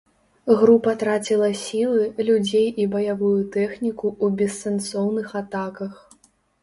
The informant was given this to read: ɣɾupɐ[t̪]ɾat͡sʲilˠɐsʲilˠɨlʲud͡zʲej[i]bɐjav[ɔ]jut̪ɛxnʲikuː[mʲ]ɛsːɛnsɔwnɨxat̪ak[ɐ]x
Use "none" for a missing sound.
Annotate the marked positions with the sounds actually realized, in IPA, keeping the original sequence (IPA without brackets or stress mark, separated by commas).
t̪, i, u, bʲ, ɐ